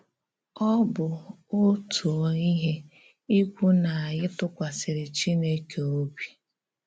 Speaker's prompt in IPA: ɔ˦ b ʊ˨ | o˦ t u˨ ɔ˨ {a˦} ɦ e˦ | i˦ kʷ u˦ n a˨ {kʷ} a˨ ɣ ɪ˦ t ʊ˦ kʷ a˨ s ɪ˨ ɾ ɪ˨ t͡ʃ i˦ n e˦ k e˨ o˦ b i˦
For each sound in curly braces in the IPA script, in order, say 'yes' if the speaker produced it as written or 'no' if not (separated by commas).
no, no